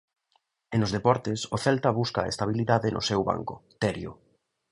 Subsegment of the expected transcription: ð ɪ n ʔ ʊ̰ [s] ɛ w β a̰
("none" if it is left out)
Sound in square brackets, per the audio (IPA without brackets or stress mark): s